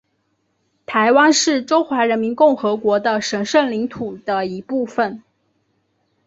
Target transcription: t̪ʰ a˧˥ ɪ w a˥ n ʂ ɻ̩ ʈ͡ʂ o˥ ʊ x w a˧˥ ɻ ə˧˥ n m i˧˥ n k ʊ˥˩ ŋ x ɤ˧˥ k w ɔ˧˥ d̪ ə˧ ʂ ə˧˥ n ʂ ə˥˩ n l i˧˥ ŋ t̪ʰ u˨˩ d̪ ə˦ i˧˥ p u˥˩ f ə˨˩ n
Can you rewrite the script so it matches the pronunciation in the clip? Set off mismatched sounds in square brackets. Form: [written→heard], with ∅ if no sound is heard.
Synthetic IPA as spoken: t̪ʰ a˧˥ ɪ w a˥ n ʂ ɻ̩ ʈ͡ʂ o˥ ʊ x w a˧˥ ɻ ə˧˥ n m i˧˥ n k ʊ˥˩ ŋ x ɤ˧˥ k w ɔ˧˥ d̪ ə˧ ʂ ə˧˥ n ʂ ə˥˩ n l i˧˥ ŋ t̪ʰ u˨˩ d̪ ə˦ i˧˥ p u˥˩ f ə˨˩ n